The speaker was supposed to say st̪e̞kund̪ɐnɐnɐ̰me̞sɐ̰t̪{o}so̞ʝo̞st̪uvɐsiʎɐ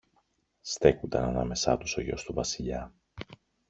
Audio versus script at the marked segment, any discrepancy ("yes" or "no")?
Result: yes